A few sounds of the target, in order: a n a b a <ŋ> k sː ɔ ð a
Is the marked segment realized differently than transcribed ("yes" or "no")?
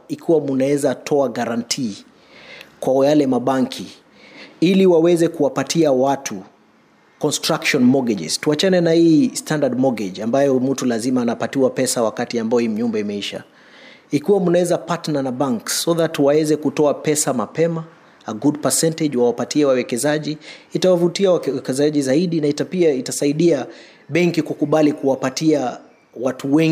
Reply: no